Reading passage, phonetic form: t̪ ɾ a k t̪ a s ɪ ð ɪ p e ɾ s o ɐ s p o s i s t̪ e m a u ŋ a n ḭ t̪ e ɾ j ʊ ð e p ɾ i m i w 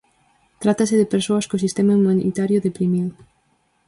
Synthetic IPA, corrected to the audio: t̪ ɾ a t̪ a s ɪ ð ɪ p e ɾ s o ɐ s k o s i s t̪ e m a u m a n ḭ t̪ a ɾ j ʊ ð e p ɾ i m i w